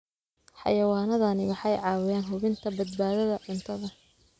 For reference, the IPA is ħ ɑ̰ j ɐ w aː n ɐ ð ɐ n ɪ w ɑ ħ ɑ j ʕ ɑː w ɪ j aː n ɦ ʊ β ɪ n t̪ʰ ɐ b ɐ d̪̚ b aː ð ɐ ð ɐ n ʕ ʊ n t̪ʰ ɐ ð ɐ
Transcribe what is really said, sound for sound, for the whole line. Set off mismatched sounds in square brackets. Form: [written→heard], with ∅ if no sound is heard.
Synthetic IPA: ħ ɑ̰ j ɐ w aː n ɐ ð ɐ n ɪ w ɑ ħ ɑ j ʕ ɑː w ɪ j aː n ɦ ʊ β ɪ n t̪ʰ ɐ b ɐ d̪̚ b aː ð ɐ ð ɐ [n→∅] ʕ ʊ n t̪ʰ ɐ ð ɐ